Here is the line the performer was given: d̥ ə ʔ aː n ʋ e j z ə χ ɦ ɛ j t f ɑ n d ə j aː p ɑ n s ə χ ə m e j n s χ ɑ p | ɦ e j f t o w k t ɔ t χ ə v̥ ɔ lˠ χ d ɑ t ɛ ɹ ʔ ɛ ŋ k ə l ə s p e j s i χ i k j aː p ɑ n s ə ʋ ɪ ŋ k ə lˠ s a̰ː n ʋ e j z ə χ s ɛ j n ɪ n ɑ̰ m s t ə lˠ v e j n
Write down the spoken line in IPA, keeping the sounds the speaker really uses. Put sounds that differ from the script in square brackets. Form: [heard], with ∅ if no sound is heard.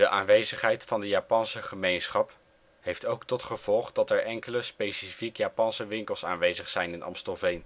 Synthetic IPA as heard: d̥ ə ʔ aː n ʋ e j z ə χ ɦ ɛ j t f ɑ n d ə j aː p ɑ n s ə χ ə m e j n s χ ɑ p | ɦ e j f t o w k t ɔ t χ ə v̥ ɔ lˠ χ d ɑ t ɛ ɹ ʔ ɛ ŋ k ə l ə s p e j s i [f] i k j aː p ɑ n s ə ʋ ɪ ŋ k ə lˠ s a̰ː n ʋ e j z ə χ s ɛ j n ɪ n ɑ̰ m s t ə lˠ v e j n